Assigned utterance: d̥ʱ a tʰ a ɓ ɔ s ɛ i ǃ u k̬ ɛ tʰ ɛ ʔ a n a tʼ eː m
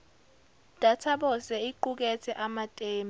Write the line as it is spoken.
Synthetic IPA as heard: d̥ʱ a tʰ a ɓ ɔ s ɛ i ǃ u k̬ ɛ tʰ ɛ ʔ a m a tʼ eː m